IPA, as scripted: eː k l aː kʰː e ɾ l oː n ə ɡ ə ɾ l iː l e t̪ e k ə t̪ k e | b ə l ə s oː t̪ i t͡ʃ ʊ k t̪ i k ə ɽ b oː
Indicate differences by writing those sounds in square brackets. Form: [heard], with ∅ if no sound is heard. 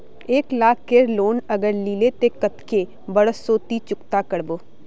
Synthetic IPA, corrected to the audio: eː k l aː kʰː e ɾ l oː n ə ɡ ə ɾ l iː l e t̪ e k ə t̪ k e | b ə [ɽ] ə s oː t̪ i t͡ʃ ʊ k t̪ [a] k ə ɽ b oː